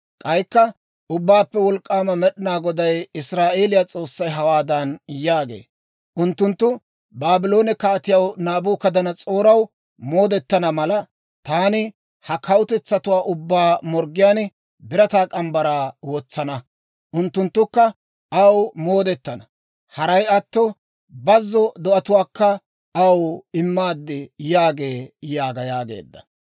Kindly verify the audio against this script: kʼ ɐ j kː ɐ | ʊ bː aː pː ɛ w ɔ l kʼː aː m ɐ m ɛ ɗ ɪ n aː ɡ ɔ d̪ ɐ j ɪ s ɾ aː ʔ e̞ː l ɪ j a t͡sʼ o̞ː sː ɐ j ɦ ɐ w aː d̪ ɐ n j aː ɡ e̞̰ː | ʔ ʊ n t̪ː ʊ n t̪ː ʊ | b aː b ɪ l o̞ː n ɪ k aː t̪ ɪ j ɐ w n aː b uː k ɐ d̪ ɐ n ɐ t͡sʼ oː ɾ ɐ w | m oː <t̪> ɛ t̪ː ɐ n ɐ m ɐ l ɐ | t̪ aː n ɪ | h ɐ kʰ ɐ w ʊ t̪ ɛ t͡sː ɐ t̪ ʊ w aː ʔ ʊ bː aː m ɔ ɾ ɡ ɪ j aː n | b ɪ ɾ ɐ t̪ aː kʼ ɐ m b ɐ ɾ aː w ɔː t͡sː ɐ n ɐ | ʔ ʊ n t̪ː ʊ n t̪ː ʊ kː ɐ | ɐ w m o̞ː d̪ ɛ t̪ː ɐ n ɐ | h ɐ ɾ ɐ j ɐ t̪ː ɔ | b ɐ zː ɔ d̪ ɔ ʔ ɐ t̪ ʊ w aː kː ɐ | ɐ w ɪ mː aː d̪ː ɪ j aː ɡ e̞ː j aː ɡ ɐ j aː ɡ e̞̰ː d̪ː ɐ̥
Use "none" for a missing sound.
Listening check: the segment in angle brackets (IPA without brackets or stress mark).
d̪